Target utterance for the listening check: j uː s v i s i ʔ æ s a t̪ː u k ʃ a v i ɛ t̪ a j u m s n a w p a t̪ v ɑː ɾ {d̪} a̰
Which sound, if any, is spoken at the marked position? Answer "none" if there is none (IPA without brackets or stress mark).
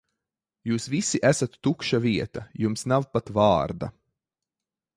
d̪